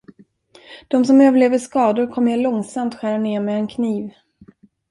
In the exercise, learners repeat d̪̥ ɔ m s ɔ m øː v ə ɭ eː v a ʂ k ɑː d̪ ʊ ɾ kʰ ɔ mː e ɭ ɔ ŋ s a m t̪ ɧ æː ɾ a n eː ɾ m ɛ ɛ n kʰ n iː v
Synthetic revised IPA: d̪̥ ɔ m s ɔ m øː v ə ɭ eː v ə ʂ k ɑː d̪ ʊ ɾ kʰ ɔ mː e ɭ ɔ ŋ s a m t̪ ɧ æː ɾ a n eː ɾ m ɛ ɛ n kʰ n iː v